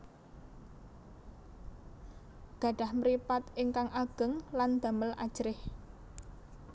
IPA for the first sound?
ɡ̥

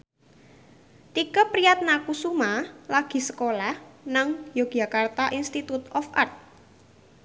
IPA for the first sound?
t̪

